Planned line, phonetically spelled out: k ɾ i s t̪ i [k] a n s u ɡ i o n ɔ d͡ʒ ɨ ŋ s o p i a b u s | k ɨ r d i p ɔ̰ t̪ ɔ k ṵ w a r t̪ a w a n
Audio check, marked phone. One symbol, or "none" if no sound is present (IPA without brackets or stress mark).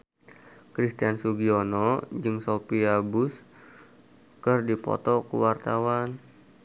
none